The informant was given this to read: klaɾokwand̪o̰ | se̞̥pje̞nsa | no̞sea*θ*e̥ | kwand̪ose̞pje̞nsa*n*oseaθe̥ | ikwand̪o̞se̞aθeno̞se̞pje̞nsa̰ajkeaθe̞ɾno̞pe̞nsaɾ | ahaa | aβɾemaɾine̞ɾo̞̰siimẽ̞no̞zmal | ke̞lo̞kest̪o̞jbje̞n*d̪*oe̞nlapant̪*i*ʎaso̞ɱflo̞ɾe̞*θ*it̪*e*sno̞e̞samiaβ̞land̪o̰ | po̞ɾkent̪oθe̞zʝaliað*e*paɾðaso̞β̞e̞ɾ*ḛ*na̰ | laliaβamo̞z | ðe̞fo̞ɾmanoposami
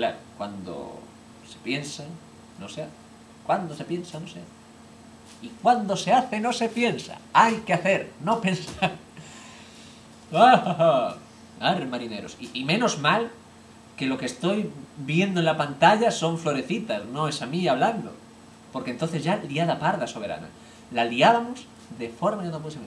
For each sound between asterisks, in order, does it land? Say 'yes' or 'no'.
yes, yes, yes, no, yes, no, no, no

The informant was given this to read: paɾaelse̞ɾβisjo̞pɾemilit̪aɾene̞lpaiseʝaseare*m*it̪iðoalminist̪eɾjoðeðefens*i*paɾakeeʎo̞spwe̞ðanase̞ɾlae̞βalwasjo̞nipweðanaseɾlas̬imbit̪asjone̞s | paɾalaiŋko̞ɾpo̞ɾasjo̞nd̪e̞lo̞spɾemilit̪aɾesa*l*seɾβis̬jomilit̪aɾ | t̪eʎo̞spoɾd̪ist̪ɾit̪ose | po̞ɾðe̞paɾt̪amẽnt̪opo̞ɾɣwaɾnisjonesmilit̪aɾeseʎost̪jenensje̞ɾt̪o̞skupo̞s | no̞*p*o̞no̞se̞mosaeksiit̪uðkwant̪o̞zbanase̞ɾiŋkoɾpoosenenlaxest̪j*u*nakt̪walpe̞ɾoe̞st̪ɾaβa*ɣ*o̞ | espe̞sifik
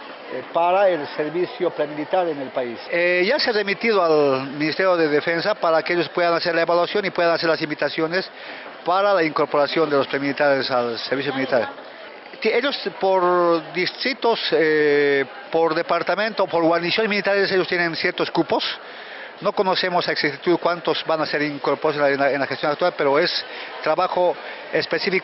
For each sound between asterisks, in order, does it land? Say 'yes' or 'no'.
yes, no, yes, no, no, no

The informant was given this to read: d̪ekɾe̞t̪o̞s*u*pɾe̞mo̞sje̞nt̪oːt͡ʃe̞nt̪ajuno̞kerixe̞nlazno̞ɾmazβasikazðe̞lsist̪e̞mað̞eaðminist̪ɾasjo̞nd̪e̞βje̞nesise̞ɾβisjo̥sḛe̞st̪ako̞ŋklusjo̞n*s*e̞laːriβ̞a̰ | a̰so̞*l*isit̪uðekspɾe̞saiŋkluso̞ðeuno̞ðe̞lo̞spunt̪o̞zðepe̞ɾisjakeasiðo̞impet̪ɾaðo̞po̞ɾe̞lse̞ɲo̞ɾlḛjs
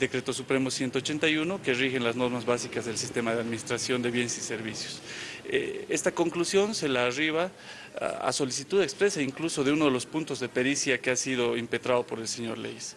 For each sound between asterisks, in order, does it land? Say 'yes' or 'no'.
yes, yes, yes

